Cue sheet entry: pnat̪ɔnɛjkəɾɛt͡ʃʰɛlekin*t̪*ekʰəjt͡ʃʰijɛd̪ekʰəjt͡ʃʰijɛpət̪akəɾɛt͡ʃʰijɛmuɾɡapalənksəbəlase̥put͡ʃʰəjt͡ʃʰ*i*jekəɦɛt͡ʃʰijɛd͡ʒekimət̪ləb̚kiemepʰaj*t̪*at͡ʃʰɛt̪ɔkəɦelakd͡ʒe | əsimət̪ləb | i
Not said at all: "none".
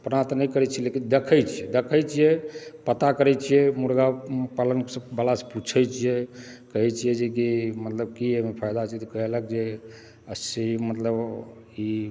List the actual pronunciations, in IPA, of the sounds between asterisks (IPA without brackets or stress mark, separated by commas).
d̪, i, d̪